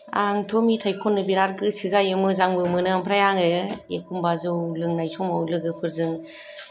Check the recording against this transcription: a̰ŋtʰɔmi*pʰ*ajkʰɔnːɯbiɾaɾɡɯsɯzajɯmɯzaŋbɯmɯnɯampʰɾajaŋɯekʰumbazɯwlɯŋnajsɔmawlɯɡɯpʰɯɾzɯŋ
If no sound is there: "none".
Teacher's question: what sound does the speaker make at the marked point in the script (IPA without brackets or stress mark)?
tʰ